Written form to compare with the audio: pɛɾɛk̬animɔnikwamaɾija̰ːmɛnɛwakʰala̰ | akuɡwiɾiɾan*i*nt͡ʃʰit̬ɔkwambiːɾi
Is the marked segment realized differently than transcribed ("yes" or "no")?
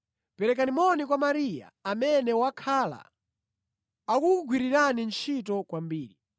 no